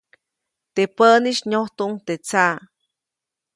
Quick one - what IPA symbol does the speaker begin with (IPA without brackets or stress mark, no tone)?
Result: t̪